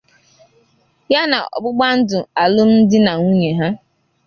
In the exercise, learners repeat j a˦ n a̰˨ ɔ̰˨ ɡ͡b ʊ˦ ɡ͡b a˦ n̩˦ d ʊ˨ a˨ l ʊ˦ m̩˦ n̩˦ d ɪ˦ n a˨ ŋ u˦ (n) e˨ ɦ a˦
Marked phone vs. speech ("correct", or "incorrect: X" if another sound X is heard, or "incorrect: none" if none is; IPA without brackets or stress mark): incorrect: ɲ